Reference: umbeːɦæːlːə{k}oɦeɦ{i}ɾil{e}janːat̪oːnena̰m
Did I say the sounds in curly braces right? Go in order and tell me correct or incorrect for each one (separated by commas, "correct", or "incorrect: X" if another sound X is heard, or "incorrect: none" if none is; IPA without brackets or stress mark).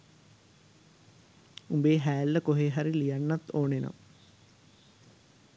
correct, incorrect: a, incorrect: i